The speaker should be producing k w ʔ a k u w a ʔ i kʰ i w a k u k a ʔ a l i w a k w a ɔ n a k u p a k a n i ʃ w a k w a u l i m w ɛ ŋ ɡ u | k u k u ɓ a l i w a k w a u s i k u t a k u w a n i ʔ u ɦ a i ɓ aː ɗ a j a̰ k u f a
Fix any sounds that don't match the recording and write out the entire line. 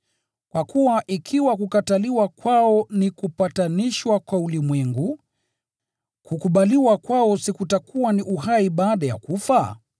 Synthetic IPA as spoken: k w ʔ a k u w a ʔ i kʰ i w a k u k a t a l i w a k w a ɔ n i k u p a t a n i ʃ w a k w a u l i m w ɛ ŋ ɡ u | k u k u ɓ a l i w a k w a ɔ s i k u t a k u w a n i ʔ u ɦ a i ɓ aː ɗ a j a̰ k u f a